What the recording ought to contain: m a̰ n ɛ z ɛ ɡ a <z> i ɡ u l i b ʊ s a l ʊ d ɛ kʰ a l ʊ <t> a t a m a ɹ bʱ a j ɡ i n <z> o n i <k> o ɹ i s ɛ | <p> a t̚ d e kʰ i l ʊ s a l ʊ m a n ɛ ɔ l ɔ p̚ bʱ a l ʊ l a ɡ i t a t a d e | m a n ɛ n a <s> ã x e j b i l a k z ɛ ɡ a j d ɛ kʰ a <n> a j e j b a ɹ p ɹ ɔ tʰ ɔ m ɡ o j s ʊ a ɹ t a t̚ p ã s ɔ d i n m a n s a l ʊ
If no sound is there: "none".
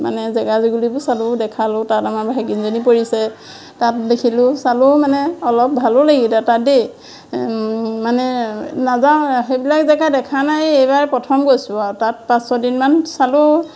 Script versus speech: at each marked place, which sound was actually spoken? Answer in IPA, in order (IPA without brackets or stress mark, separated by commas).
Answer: z, t, z, p, t, z, n